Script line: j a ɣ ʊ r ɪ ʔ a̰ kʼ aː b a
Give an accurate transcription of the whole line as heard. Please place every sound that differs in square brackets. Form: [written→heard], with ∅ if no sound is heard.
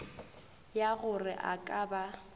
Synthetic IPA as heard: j a ɣ ʊ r ɪ ʔ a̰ kʼ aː b a